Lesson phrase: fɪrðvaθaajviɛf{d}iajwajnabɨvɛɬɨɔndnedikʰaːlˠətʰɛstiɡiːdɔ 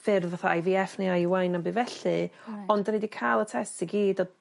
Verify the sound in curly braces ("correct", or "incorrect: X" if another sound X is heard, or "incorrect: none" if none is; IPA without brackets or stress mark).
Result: incorrect: n